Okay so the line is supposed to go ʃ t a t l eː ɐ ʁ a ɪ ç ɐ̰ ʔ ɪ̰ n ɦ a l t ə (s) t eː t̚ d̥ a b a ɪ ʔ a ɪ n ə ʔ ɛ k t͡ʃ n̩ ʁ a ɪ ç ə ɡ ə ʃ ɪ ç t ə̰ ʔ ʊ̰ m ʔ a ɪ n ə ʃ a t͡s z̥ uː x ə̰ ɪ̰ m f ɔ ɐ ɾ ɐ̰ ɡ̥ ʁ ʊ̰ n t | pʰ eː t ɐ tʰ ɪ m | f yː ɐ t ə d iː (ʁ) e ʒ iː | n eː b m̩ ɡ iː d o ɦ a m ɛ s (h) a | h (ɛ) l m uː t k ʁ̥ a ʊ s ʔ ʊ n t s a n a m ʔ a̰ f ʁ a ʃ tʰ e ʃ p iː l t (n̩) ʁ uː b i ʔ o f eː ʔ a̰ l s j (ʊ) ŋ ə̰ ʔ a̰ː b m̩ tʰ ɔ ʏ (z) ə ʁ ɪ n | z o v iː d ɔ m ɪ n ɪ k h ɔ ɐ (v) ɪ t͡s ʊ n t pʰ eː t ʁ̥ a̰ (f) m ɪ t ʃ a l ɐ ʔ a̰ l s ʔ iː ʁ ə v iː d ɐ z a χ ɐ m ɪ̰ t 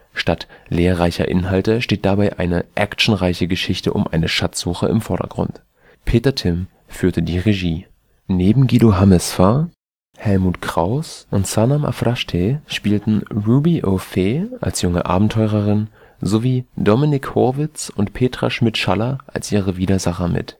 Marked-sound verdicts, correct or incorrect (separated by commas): incorrect, correct, incorrect, correct, correct, correct, incorrect, correct, incorrect